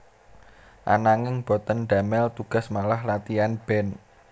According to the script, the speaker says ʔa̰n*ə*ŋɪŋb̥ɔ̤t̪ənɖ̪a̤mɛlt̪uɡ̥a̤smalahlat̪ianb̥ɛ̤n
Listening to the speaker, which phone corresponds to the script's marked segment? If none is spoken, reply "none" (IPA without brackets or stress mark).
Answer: a